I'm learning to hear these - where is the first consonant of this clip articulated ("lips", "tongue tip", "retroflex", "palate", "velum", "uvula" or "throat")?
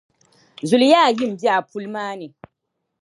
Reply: tongue tip